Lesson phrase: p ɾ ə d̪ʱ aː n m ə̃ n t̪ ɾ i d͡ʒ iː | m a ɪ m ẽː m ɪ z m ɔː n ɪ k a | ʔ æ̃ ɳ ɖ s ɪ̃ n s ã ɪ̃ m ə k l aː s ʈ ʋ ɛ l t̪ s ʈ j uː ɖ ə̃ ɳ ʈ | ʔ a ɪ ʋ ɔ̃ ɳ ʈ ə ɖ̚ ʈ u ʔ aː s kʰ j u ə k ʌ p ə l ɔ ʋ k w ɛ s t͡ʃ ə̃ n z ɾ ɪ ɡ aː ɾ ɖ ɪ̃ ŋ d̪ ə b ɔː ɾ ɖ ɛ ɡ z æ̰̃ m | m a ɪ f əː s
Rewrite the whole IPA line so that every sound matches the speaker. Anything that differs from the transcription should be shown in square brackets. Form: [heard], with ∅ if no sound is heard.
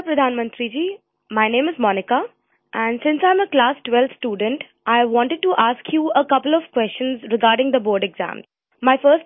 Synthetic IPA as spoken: p ɾ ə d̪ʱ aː n m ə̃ n t̪ ɾ i d͡ʒ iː | m a ɪ [n] ẽː m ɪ z m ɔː n ɪ k a | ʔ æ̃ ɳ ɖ s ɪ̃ n s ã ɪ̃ m ə k l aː s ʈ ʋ ɛ l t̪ s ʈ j uː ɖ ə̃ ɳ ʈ | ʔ a ɪ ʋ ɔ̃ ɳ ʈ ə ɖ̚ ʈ u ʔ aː s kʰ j u ə k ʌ p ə l ɔ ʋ k w ɛ s t͡ʃ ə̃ n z ɾ ɪ ɡ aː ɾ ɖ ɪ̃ ŋ d̪ ə b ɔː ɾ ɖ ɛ ɡ z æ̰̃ m | m a ɪ f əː s